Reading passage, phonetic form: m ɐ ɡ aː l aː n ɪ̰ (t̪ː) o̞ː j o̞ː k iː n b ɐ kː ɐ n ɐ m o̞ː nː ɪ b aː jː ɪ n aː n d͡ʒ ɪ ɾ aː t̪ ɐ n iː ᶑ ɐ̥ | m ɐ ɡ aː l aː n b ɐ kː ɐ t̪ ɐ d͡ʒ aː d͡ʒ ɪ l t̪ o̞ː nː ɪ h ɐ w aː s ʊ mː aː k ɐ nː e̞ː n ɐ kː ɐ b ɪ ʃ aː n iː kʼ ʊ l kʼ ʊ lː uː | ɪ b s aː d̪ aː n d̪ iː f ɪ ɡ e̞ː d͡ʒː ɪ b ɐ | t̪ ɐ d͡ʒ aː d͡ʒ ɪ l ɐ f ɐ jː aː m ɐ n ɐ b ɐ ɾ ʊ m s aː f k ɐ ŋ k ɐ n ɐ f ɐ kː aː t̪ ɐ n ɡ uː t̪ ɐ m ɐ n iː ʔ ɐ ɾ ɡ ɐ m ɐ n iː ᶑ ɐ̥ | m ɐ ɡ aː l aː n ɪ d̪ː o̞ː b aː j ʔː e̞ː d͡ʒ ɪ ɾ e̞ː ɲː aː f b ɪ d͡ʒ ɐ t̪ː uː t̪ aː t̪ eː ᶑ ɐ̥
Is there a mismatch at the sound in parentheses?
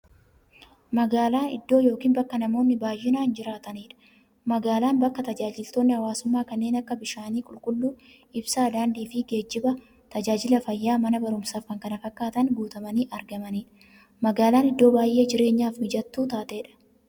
yes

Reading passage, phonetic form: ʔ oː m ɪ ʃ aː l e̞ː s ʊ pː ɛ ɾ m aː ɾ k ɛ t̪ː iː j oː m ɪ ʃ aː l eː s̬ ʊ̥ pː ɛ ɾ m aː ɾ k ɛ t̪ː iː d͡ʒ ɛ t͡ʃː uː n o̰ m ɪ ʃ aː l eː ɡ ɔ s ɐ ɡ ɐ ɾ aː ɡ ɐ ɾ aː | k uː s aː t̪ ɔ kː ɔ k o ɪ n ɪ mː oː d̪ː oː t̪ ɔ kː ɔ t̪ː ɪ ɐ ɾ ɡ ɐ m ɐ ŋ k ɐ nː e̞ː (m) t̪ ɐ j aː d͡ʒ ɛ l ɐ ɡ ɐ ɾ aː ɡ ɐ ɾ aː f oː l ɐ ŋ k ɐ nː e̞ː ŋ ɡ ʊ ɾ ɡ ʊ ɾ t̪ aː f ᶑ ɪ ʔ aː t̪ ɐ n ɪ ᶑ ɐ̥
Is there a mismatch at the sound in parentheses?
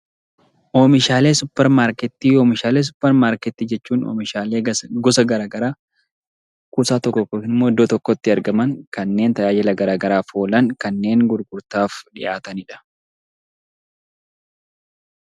yes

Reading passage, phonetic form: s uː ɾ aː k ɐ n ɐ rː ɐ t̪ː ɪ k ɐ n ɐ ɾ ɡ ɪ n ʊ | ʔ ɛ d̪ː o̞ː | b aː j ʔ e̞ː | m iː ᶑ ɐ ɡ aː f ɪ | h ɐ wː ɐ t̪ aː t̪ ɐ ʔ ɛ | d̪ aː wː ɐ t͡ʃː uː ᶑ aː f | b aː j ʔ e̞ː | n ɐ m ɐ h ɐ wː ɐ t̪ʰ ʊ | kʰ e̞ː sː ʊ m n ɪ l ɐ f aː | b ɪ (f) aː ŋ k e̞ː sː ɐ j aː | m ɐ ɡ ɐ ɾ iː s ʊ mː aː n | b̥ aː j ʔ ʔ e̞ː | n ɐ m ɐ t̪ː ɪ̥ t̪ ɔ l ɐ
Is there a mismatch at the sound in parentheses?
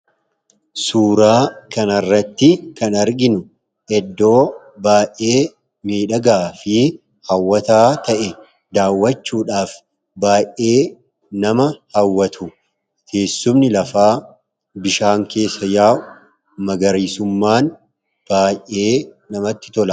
yes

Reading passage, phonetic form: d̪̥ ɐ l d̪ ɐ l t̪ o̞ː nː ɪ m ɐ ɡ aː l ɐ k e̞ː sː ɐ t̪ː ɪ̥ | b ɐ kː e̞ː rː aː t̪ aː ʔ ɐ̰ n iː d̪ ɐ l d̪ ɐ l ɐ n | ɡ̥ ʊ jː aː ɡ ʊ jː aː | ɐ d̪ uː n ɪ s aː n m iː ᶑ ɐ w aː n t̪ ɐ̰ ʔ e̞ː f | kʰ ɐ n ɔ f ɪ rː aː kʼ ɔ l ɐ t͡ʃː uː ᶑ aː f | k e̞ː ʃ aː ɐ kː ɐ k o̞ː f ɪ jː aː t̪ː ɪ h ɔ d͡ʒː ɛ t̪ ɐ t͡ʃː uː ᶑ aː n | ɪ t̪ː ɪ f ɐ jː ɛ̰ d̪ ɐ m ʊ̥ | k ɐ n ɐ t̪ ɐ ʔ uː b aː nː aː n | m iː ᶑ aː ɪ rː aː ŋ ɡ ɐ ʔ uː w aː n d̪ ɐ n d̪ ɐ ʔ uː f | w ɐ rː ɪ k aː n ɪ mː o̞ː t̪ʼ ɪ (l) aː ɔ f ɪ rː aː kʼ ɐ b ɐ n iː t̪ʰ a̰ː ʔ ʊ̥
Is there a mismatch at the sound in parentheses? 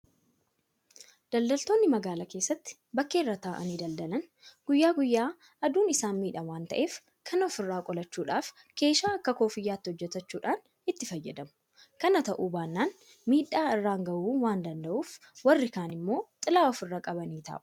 no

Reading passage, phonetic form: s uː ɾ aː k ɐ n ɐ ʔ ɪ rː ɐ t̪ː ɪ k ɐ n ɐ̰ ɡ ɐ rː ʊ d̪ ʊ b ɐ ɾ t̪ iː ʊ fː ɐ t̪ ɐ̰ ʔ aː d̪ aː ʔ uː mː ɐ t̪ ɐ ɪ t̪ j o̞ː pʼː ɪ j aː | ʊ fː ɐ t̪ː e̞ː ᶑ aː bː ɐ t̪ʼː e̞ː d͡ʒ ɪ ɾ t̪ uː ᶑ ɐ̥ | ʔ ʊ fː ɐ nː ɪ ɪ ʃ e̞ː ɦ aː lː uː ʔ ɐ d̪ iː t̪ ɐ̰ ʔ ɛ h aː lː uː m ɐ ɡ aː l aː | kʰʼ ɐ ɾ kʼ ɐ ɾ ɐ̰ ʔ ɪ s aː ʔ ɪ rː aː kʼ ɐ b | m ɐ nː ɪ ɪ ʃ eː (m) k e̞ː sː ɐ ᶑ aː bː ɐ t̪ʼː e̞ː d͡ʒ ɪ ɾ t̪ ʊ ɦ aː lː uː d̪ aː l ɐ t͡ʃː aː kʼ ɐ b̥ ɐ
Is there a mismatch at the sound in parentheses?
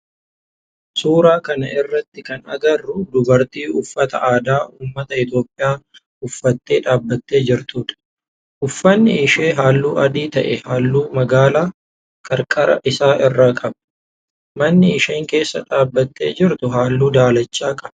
yes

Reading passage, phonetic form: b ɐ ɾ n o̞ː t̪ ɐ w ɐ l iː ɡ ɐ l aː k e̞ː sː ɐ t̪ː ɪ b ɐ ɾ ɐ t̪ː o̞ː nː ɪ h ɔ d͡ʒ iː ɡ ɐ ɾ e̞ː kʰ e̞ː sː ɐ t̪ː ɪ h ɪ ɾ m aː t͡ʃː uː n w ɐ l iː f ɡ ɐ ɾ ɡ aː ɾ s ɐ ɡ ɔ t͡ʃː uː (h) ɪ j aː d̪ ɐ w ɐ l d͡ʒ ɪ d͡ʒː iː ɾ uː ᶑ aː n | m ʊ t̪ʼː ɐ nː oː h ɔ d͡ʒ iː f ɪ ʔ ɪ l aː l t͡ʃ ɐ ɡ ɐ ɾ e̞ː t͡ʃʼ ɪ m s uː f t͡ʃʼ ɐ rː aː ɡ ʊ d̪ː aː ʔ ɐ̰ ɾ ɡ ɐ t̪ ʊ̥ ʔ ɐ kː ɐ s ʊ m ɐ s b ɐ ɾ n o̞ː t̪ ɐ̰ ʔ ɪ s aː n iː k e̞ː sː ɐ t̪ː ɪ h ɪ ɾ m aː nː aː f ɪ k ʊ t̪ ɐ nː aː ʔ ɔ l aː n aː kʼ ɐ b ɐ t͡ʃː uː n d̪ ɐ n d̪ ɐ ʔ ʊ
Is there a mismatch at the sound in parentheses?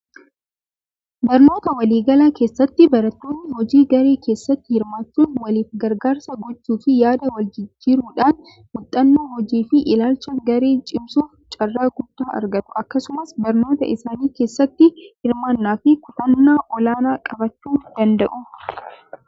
yes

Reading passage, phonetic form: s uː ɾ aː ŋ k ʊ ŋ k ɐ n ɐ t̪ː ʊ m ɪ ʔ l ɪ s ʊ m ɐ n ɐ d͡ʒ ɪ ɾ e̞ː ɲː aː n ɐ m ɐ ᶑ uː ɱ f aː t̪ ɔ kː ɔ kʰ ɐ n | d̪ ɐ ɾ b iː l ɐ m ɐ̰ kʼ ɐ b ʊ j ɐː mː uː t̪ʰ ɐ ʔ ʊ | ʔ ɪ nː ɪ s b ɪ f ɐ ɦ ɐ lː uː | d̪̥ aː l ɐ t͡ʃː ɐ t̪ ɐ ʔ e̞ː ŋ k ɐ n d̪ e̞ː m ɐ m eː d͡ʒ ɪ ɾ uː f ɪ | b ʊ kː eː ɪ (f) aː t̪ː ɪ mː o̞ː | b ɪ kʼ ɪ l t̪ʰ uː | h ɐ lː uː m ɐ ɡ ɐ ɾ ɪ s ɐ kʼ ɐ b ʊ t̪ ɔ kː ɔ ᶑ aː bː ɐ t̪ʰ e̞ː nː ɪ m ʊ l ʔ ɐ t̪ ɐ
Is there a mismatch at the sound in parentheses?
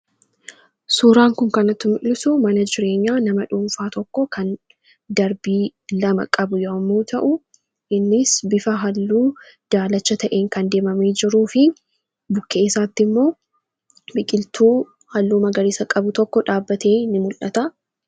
yes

